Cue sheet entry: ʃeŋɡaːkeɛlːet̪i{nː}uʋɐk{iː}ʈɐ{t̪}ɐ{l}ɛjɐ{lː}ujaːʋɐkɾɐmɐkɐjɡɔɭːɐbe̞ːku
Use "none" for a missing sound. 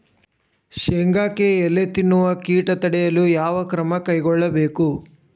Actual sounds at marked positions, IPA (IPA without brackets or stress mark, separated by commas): nː, iː, t̪, ɽ, l